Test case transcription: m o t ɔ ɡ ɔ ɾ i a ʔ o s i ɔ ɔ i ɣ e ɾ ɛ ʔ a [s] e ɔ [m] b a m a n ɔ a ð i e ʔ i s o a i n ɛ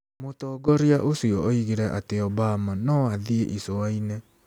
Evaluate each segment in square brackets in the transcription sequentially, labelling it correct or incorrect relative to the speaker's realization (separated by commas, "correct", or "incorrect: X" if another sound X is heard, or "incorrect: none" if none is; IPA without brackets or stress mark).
incorrect: t, incorrect: none